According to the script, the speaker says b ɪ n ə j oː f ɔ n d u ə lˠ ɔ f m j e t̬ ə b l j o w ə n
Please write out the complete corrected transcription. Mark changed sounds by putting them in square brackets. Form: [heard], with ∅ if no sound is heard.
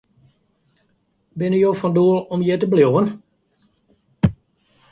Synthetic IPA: b ɪ n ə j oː f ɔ n d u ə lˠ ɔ [∅] m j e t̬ ə b l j o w ə n